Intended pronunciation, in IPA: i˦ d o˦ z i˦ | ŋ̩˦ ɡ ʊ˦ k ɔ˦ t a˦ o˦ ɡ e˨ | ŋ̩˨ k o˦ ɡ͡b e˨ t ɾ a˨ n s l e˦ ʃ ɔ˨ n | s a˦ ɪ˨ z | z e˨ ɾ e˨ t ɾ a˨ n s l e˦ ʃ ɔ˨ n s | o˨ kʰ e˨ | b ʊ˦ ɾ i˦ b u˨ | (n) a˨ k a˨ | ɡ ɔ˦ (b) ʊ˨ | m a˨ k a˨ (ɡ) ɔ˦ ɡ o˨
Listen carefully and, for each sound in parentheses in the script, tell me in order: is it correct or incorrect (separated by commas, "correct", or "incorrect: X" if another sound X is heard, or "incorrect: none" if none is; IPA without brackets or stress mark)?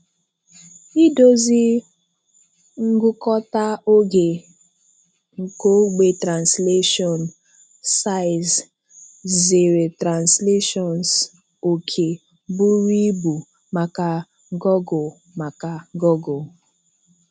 incorrect: m, incorrect: ɡ, correct